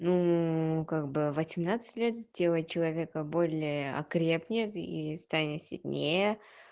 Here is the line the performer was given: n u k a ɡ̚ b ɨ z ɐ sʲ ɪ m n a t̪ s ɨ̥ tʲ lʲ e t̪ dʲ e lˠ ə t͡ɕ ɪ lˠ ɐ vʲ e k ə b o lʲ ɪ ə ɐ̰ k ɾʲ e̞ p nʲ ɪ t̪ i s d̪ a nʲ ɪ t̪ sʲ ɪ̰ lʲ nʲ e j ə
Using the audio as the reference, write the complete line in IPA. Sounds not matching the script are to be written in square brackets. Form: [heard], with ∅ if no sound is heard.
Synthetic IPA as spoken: n u k a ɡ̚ b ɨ [v] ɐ sʲ ɪ m n a t̪ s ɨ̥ tʲ lʲ e t̪ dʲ e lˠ ə t͡ɕ ɪ lˠ ɐ vʲ e k ə b o lʲ ɪ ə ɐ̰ k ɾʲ e̞ p nʲ ɪ t̪ i s [t̪] a nʲ ɪ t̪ sʲ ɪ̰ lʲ nʲ e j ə